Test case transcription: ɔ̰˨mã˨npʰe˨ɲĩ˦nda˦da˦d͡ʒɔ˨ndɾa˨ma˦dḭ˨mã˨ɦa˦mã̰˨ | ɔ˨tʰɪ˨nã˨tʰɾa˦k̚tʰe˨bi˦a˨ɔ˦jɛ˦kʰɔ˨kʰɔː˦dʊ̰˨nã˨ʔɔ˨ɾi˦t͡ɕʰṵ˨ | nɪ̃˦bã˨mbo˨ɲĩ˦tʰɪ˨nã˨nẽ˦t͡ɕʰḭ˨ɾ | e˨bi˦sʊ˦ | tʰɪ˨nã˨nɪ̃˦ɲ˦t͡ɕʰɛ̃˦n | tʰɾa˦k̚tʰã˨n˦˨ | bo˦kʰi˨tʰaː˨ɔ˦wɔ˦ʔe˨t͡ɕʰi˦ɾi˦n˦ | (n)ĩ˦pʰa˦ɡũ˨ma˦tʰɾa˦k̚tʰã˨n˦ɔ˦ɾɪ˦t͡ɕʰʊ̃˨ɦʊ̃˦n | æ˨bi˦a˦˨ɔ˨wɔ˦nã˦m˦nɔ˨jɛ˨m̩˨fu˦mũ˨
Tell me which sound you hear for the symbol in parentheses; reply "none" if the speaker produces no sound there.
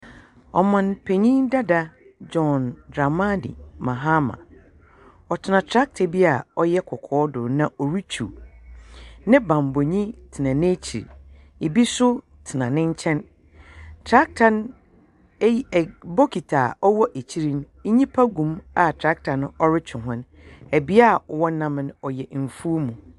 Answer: ɲ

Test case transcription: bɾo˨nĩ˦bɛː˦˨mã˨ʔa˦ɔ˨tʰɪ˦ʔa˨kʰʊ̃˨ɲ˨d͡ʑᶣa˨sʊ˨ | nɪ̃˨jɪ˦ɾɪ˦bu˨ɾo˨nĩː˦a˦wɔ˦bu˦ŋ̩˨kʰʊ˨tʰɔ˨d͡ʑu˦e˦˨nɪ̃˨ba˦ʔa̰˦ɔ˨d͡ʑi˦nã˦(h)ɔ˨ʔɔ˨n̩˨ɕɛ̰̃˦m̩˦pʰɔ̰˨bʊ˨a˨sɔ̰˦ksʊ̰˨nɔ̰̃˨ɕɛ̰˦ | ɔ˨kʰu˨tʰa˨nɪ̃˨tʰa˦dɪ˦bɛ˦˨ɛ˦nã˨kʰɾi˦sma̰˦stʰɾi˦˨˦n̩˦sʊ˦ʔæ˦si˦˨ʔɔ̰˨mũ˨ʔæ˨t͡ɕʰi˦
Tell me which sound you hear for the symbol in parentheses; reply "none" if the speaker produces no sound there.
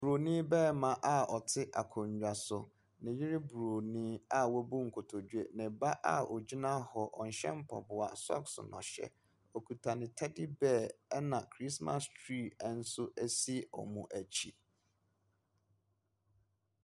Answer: h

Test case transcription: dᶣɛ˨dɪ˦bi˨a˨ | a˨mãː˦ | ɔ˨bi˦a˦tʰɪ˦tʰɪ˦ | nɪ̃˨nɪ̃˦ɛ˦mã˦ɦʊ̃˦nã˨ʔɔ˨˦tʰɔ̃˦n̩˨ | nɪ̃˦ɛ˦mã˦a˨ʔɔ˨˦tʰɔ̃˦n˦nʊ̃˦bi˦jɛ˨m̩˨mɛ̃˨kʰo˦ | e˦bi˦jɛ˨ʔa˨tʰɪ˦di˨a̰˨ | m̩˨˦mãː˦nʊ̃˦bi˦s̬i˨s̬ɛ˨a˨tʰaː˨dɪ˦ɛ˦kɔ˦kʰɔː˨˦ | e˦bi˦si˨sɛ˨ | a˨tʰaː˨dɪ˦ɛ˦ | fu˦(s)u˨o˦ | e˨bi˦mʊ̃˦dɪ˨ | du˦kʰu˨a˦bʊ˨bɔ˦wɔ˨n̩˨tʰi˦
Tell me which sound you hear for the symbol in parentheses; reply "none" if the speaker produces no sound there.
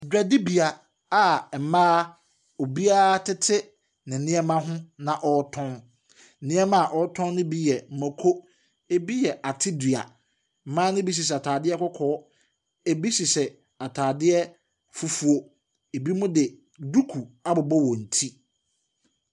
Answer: f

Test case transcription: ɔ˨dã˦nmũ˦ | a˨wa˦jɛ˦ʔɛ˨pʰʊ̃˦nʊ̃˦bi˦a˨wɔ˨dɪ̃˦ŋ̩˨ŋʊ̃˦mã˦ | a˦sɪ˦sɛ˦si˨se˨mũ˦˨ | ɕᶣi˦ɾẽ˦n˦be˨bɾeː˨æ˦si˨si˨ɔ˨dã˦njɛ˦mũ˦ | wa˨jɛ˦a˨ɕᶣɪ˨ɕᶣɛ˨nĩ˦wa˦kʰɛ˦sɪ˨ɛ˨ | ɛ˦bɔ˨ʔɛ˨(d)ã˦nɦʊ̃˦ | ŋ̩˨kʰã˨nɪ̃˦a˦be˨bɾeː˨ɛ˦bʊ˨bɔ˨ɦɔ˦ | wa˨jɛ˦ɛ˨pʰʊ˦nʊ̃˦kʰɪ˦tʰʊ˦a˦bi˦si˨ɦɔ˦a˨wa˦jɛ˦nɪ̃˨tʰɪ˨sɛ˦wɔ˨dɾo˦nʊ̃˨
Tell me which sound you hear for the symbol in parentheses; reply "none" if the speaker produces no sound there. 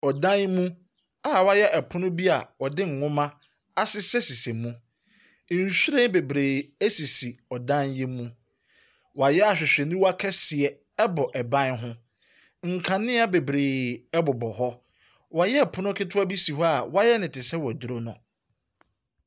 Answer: b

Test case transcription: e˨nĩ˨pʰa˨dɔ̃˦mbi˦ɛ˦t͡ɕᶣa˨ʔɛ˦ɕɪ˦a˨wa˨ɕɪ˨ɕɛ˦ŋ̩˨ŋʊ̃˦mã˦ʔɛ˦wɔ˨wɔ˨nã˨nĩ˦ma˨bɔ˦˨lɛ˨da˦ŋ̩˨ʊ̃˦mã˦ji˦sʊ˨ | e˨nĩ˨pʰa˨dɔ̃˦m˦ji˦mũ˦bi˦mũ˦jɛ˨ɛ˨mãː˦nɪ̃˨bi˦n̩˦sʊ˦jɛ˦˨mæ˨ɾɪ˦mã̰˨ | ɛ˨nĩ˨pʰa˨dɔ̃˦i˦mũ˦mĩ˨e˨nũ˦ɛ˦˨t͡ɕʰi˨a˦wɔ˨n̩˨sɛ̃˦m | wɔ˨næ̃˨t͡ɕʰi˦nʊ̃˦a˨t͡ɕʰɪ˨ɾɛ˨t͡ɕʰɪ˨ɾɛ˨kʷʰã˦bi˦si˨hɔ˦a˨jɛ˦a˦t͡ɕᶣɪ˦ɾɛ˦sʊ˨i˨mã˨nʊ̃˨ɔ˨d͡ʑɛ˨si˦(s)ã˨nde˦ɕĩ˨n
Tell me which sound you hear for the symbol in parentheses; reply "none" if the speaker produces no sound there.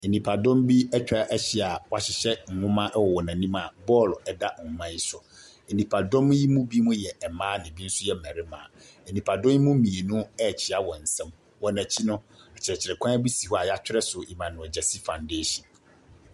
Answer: f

